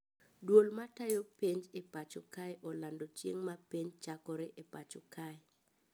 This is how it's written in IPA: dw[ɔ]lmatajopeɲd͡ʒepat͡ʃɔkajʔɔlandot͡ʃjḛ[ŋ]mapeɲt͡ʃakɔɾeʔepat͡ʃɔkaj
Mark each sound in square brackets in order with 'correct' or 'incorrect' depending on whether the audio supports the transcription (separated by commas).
incorrect, correct